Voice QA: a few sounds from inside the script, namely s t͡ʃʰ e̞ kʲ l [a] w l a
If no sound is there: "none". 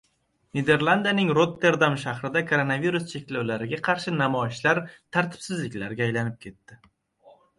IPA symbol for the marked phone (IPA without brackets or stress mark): a